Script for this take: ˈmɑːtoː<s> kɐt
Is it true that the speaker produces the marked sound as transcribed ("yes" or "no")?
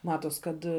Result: yes